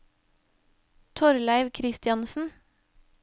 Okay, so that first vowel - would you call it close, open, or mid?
mid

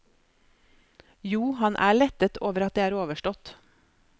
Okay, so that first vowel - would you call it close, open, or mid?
close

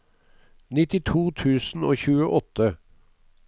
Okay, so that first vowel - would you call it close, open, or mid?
close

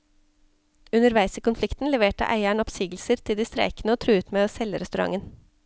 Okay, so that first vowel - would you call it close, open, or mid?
close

